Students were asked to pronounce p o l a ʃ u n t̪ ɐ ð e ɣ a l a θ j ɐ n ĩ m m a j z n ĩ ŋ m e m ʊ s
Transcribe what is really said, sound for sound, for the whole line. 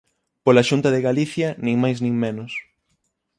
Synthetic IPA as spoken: p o l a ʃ u n t̪ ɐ ð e ɣ a l i θ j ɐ n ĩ ŋ m a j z n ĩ ŋ m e n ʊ s